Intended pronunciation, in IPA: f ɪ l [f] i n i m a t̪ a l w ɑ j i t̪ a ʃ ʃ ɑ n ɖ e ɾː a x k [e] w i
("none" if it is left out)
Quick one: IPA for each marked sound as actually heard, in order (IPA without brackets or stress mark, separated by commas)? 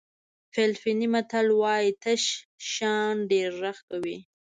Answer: f, a